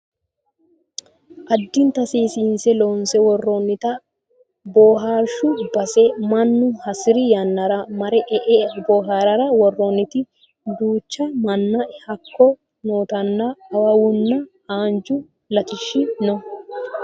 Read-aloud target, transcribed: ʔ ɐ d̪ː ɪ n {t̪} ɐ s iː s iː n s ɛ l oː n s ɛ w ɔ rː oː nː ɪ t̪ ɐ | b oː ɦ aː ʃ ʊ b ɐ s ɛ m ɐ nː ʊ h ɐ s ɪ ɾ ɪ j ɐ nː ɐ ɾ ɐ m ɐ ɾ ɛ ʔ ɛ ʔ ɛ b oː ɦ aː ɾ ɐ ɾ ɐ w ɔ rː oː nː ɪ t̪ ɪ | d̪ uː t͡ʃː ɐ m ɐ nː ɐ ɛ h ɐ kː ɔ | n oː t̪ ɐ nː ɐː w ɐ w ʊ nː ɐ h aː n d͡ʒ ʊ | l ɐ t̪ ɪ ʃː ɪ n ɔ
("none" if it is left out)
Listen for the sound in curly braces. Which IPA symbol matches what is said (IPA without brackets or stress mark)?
t̪